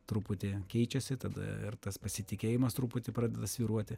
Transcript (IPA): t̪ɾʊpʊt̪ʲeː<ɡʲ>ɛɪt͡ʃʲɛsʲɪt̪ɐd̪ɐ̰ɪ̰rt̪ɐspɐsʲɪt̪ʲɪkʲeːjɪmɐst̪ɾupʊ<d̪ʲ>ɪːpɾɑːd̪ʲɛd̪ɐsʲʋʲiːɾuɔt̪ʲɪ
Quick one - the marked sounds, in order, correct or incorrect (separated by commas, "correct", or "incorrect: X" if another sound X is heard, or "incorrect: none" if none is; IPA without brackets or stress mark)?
incorrect: kʲ, incorrect: t̪ʲ